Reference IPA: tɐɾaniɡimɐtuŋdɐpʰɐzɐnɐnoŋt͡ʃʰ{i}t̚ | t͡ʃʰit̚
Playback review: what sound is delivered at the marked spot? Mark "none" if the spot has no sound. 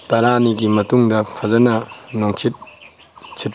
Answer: i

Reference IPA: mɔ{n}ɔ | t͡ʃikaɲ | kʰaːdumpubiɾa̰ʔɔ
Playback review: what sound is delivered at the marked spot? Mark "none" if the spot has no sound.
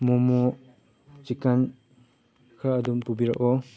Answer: m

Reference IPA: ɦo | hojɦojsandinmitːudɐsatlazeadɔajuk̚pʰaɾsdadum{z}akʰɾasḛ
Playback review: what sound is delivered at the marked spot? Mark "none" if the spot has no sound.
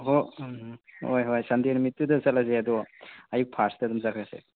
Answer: z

